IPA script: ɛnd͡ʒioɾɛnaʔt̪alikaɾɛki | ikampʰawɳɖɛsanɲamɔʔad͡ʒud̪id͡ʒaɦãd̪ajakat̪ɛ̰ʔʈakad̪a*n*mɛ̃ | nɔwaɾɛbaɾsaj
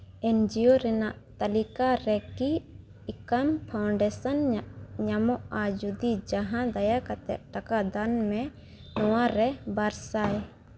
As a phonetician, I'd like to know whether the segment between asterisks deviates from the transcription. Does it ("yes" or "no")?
no